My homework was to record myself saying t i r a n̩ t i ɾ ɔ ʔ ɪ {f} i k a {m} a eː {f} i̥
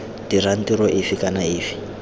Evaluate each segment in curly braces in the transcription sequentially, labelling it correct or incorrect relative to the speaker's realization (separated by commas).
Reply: correct, incorrect, correct